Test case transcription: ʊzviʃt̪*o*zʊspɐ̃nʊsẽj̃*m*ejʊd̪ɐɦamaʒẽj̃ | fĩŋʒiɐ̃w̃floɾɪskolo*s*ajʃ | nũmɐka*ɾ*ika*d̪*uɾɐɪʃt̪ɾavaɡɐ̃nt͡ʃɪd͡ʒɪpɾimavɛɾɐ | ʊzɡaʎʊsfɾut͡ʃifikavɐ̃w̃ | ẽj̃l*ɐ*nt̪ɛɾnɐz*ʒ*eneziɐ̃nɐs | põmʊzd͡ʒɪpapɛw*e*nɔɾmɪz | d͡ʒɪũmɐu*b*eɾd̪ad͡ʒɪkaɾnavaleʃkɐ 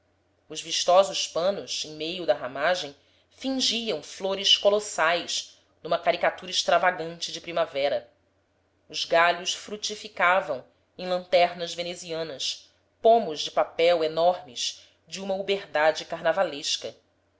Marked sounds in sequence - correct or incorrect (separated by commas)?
incorrect, correct, correct, correct, incorrect, incorrect, incorrect, correct, correct